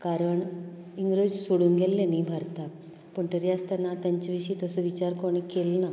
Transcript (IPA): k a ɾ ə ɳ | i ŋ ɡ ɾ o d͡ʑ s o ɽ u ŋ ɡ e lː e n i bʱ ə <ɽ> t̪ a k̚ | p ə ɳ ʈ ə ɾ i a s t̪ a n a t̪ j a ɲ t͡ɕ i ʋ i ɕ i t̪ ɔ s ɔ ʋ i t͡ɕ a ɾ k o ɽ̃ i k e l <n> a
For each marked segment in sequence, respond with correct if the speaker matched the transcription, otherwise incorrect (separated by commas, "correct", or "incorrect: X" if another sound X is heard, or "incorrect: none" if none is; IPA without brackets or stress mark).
incorrect: ɾ, correct